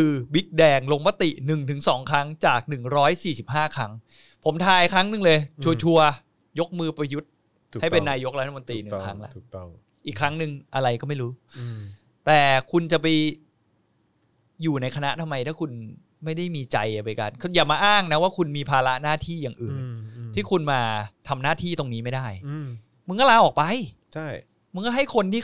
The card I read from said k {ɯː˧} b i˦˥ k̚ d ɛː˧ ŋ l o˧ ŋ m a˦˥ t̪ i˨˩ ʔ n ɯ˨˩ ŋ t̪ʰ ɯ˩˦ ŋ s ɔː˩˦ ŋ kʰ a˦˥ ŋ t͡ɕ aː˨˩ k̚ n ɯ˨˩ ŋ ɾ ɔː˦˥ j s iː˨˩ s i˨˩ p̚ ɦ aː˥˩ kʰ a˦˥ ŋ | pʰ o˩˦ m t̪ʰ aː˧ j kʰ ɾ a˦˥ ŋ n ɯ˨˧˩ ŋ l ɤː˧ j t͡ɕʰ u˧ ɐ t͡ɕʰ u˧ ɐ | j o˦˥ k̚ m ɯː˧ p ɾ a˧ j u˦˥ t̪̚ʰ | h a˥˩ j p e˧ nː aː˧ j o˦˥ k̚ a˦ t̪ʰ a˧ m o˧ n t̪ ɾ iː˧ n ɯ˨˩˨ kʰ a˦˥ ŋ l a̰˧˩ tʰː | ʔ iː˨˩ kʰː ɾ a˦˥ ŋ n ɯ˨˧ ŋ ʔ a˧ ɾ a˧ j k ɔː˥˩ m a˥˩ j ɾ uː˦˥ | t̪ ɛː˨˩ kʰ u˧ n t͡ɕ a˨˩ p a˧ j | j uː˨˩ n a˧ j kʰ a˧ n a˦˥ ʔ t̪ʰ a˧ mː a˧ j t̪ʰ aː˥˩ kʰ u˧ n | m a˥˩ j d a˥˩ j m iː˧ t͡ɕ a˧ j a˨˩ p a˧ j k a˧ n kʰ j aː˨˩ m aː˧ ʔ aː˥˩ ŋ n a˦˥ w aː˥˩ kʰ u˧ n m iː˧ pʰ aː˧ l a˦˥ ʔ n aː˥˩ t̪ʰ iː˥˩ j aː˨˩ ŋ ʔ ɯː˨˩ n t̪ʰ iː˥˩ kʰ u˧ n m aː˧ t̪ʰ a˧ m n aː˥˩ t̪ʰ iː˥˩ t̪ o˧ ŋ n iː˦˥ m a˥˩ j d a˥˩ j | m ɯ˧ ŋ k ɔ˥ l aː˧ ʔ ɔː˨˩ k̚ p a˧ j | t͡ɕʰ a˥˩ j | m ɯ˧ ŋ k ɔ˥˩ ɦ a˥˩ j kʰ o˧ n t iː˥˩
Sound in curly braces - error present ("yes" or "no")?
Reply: no